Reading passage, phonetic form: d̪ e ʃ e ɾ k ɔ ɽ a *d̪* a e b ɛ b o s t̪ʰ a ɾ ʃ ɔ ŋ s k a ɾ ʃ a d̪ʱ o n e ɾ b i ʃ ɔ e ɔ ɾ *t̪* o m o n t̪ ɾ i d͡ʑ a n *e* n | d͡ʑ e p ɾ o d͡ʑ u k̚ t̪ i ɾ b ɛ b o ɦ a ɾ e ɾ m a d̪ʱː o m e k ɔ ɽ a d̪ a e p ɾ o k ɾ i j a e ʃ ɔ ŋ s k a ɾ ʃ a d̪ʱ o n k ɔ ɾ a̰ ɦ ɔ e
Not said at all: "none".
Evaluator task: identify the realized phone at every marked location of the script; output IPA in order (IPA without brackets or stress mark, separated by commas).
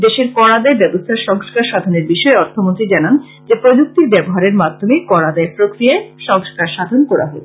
d̪, t̪ʰ, a